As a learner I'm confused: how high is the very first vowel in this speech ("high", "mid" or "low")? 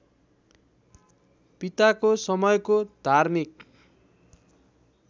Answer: high